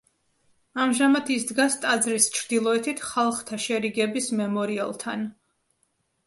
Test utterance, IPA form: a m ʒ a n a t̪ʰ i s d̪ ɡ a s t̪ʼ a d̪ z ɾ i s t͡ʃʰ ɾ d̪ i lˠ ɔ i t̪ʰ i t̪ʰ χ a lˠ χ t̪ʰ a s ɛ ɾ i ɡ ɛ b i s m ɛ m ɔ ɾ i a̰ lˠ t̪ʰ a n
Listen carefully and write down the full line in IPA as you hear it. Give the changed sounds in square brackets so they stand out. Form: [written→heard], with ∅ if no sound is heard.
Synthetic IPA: a m ʒ a [n→m] a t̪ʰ i s d̪ ɡ a s t̪ʼ a d̪ z ɾ i s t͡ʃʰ ɾ d̪ i lˠ ɔ [i→ɛ] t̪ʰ i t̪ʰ χ a lˠ χ t̪ʰ a [s→ʃ] ɛ ɾ i ɡ ɛ b i s m ɛ m ɔ ɾ i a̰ lˠ t̪ʰ a n